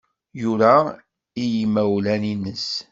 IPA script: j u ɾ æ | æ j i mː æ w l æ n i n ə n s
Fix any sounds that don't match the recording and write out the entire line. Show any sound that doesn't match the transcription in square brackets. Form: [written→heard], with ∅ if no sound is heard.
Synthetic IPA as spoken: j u ɾ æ | [æ→i] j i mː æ w l æ n i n ə [n→∅] s